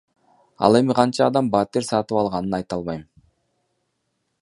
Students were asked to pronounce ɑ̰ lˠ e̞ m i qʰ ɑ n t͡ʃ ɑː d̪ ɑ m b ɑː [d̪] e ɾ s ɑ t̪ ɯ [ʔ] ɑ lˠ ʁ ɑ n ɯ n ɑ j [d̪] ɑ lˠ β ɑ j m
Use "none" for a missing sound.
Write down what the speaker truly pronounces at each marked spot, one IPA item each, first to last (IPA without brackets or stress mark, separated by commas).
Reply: t̪, p, t̪